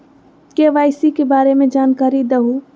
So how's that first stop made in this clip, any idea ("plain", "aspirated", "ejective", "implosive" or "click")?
plain